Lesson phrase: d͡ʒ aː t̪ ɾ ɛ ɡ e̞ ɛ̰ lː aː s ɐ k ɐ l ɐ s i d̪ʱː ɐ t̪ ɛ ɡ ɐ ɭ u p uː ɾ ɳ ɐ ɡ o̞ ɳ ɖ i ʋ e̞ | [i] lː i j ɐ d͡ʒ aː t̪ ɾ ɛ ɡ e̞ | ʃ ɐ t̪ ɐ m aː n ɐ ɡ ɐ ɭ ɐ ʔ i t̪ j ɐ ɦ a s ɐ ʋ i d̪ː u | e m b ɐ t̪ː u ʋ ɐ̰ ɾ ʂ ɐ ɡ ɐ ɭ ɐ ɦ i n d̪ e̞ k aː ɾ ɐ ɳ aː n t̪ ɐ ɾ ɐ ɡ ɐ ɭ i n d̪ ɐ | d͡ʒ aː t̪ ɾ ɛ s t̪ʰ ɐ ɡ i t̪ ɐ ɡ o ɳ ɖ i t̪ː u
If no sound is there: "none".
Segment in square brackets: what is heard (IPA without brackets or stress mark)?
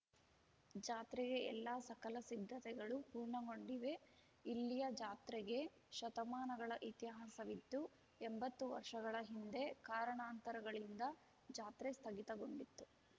i